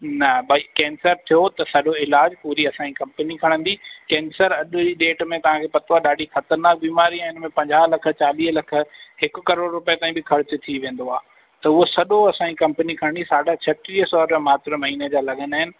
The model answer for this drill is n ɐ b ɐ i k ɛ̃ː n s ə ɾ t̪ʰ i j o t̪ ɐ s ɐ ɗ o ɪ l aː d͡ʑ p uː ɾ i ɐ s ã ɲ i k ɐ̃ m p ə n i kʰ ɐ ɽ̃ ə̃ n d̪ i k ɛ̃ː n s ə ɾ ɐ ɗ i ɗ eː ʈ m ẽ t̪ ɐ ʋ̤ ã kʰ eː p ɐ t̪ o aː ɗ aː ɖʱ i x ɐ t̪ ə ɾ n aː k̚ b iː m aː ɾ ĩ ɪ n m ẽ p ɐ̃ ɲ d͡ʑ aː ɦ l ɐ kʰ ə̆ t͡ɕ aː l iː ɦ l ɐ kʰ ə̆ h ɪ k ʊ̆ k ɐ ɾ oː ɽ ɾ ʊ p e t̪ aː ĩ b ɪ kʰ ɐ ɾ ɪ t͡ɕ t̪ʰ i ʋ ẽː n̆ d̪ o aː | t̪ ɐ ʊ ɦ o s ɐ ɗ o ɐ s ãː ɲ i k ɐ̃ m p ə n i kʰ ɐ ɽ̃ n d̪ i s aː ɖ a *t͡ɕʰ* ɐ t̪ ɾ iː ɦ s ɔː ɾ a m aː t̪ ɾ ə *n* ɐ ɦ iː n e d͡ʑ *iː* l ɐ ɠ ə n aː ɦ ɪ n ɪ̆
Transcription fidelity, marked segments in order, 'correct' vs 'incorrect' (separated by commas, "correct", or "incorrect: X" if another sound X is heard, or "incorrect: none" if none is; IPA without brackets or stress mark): correct, incorrect: m, incorrect: aː